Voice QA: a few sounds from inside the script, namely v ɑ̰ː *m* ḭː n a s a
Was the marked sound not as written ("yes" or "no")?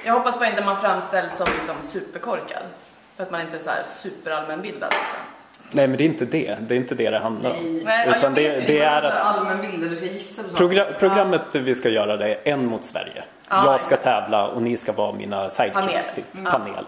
no